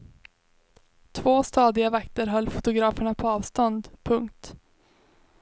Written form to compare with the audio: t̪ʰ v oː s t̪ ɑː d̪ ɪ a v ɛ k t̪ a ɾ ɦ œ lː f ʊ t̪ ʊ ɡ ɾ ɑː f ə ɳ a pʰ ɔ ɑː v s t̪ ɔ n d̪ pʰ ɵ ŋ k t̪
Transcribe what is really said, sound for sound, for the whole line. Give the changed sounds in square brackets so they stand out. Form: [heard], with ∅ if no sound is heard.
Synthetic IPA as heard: t̪ʰ v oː s t̪ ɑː d̪ ɪ a v [a] k t̪ [ə] ɾ ɦ œ lː f ʊ t̪ ʊ ɡ ɾ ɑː f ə ɳ a pʰ ɔ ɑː v s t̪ ɔ n d̪ pʰ ɵ ŋ k t̪